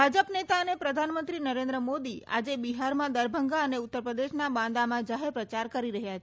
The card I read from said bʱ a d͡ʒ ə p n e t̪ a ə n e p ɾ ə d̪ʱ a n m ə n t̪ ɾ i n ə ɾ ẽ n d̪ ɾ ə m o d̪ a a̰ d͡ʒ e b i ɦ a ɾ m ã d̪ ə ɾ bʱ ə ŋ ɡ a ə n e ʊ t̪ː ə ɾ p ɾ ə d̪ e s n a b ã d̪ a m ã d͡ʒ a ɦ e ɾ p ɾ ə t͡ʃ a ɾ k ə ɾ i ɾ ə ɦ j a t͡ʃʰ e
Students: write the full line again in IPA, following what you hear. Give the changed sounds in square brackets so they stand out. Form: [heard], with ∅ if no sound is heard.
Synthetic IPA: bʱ a d͡ʒ ə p n e t̪ a ə n e p ɾ ə d̪ʱ a n m ə n t̪ ɾ i n ə ɾ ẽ n d̪ ɾ ə m o d̪ [i] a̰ d͡ʒ e b i ɦ a ɾ m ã d̪ ə ɾ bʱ ə ŋ ɡ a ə n e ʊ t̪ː ə ɾ p ɾ ə d̪ e [ʃ] n a b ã d̪ a m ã d͡ʒ a ɦ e ɾ p ɾ ə t͡ʃ a ɾ k ə ɾ i ɾ ə ɦ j a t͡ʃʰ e